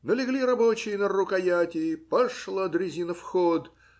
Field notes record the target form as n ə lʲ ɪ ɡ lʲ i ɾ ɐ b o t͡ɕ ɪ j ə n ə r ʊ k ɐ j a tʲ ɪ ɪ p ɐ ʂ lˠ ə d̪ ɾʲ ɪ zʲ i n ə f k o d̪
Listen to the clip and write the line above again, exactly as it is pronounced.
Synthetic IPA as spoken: n ə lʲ ɪ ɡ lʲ i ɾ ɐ b o t͡ɕ ɪ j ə n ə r ʊ k ɐ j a tʲ ɪ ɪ p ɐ ʂ lˠ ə d̪ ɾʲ ɪ zʲ i n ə f x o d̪